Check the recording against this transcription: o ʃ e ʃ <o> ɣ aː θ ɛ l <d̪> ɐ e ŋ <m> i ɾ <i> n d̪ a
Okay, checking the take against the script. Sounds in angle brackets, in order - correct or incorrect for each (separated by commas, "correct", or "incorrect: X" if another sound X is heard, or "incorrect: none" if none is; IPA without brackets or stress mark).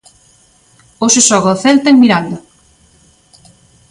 incorrect: ɔ, incorrect: t̪, correct, incorrect: a